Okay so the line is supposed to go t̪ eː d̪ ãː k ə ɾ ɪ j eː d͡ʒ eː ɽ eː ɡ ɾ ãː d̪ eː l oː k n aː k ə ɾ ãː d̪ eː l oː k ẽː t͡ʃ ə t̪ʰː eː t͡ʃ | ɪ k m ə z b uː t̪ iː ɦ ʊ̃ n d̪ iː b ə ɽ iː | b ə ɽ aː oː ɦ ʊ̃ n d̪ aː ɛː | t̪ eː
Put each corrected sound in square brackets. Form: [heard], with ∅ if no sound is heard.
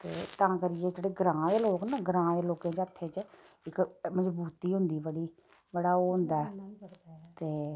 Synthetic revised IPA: t̪ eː [t̪] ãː k ə ɾ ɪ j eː d͡ʒ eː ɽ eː ɡ ɾ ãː d̪ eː l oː k n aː [ɡ] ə ɾ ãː d̪ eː l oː k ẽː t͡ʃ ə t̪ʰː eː t͡ʃ | ɪ k m ə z b uː t̪ iː ɦ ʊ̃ n d̪ iː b ə ɽ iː | b ə ɽ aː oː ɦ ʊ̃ n d̪ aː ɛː | t̪ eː